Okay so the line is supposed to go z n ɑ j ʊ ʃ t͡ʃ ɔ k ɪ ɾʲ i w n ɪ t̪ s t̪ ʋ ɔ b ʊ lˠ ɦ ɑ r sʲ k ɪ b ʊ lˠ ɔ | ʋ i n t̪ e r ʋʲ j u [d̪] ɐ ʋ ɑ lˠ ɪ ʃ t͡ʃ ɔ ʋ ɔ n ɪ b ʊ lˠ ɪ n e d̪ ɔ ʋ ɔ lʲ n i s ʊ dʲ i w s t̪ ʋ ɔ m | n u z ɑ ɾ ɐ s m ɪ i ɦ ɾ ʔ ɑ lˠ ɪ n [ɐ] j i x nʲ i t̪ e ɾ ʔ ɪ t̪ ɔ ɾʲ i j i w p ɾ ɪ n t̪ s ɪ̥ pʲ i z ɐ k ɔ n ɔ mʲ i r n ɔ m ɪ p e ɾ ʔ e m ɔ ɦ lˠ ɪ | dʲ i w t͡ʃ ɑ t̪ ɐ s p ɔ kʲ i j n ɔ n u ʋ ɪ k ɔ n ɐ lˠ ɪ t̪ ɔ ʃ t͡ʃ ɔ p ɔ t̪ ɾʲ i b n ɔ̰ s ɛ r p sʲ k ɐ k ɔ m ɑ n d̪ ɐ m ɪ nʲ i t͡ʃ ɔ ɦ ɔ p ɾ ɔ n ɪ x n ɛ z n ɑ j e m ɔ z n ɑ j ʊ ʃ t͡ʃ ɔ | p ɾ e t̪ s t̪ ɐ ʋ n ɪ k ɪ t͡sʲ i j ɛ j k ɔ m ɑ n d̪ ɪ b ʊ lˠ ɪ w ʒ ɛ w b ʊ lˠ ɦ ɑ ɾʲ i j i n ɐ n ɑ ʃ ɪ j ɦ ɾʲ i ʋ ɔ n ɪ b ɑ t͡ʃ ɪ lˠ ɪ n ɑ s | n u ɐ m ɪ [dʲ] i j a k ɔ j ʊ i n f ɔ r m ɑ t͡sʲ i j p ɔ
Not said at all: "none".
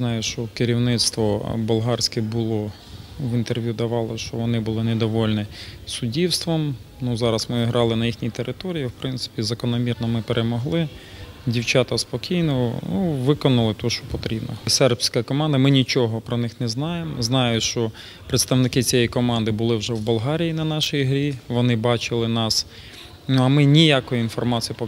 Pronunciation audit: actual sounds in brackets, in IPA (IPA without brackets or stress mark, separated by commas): d̪, ɐ, nʲ